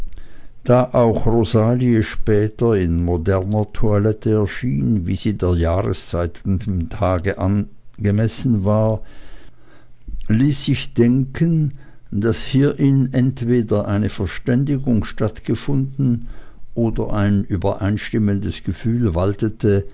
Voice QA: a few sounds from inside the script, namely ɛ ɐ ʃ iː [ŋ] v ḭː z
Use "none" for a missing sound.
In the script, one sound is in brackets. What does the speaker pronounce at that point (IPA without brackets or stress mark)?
n